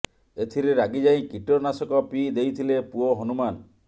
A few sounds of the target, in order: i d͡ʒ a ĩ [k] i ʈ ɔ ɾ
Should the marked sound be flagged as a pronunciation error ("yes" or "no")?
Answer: no